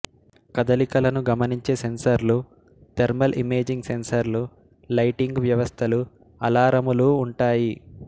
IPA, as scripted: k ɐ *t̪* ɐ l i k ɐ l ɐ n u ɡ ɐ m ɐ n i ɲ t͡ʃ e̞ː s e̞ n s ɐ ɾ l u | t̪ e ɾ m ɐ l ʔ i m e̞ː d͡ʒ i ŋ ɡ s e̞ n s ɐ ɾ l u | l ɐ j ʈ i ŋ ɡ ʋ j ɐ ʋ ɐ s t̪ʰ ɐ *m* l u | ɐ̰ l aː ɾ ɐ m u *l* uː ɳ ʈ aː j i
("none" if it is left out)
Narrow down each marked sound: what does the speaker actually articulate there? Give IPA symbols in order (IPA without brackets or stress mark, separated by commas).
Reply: d̪, none, l